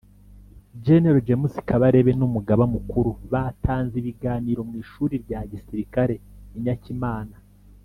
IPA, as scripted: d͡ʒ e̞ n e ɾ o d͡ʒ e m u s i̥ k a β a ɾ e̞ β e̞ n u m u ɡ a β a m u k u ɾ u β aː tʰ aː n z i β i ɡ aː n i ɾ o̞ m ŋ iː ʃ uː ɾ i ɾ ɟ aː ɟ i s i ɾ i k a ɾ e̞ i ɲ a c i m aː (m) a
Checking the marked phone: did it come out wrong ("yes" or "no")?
yes